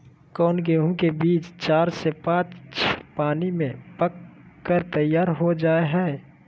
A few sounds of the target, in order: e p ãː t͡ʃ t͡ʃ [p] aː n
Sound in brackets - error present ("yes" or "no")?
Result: no